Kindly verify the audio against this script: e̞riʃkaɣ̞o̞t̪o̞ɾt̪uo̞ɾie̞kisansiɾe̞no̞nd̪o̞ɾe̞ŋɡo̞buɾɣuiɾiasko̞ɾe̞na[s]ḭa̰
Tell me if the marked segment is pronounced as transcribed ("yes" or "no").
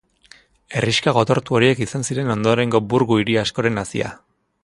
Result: yes